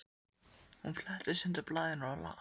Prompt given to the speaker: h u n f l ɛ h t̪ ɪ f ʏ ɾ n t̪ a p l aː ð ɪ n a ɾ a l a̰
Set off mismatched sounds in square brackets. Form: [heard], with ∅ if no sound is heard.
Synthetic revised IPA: h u n f l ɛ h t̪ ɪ [s] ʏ [∅] n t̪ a p l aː ð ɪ n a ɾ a l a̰